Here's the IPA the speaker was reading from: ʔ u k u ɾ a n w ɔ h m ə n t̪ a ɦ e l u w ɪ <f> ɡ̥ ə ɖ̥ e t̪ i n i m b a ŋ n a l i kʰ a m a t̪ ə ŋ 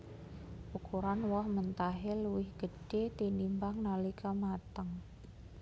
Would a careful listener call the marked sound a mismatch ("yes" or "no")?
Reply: yes